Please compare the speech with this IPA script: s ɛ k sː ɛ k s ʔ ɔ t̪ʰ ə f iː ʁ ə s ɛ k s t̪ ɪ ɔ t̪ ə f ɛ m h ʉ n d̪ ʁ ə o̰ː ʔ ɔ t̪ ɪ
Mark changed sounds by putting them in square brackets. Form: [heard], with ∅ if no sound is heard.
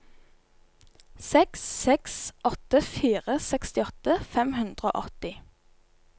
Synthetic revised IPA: s ɛ k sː ɛ k s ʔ ɔ [t̪] ə f iː ʁ ə s ɛ k s t̪ ɪ ɔ t̪ ə f ɛ m h ʉ n d̪ ʁ ə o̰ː ʔ ɔ t̪ ɪ